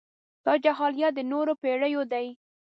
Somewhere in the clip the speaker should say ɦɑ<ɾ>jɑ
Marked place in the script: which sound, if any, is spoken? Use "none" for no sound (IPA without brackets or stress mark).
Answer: l